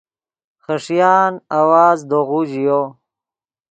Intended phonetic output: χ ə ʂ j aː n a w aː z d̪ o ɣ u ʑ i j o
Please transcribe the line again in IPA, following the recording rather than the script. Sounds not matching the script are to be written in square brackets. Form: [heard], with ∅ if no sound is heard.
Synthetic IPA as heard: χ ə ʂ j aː n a w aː z d̪ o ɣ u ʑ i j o